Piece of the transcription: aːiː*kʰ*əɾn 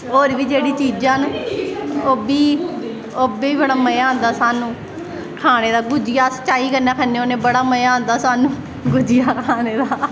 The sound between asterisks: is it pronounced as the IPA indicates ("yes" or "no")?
no